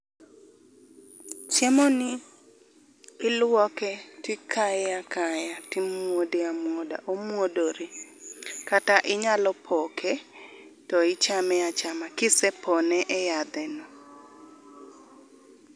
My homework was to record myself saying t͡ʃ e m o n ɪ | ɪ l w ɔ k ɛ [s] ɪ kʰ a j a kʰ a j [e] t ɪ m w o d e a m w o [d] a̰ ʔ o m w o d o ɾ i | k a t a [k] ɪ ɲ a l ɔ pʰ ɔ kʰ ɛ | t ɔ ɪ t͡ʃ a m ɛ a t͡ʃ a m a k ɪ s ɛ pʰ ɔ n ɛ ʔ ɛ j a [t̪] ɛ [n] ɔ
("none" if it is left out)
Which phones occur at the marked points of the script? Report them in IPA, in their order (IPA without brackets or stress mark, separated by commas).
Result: t, a, d, ʔ, d̪, n